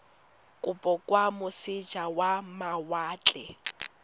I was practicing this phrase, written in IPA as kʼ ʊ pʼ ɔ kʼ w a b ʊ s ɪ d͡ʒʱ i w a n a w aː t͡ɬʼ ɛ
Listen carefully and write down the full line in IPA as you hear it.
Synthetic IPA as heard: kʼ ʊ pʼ ɔ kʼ w a m ʊ s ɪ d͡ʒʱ a w a m a w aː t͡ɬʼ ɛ